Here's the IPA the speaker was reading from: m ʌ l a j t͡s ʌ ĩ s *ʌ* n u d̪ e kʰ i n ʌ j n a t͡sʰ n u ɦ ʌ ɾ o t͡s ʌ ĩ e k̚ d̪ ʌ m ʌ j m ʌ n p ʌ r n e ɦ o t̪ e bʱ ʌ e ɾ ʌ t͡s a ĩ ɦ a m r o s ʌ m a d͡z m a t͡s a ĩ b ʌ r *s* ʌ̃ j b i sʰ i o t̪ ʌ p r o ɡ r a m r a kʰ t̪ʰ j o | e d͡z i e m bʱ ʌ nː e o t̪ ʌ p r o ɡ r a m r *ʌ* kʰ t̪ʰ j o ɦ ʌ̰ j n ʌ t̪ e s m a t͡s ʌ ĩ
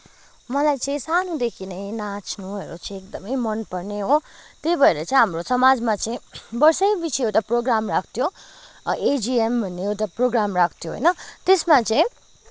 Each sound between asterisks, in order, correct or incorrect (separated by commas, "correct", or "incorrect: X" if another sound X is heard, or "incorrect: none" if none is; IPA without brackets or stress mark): incorrect: a, correct, incorrect: a